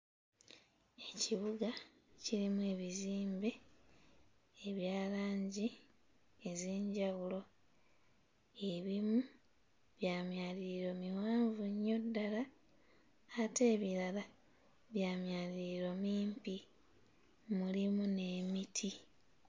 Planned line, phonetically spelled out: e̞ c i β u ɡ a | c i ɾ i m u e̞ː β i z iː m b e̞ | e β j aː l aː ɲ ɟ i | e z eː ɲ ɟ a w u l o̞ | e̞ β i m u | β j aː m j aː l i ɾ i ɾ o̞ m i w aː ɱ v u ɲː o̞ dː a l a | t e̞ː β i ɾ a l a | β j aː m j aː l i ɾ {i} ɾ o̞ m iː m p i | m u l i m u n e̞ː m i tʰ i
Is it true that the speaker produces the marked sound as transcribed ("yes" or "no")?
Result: yes